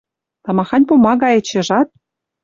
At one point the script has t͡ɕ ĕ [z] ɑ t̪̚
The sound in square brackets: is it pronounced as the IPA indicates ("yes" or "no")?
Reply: no